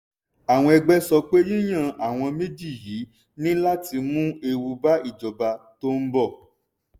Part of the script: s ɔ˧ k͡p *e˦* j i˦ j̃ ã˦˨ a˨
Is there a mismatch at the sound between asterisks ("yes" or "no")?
no